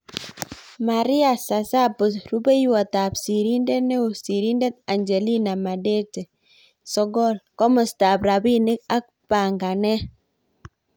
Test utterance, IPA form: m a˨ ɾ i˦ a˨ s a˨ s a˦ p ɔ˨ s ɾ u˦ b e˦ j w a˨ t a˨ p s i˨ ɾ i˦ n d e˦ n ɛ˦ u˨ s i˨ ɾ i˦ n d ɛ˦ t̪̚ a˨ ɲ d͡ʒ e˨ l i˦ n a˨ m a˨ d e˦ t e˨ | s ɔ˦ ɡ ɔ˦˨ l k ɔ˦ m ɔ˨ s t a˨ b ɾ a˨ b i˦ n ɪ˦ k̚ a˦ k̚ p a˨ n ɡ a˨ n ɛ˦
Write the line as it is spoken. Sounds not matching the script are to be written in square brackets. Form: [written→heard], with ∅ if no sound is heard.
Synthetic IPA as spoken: m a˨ ɾ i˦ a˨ s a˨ s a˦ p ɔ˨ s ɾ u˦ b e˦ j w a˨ t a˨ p s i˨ ɾ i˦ n d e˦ n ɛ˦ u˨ s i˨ ɾ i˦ n d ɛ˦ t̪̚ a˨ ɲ d͡ʒ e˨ l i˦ n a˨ m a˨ d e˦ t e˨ | s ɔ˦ ɡ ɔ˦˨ l k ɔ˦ m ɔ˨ s t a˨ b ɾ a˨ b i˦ n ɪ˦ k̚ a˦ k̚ p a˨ [n→ŋ] ɡ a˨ n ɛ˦